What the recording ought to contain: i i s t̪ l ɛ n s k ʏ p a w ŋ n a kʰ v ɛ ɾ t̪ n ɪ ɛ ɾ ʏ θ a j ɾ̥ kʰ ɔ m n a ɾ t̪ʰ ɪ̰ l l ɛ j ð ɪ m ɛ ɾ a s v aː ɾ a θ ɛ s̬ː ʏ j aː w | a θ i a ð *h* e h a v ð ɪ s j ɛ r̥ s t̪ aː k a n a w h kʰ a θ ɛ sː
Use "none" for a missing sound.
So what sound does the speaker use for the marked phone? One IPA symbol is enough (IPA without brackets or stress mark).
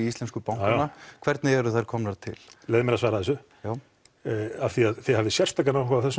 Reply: θ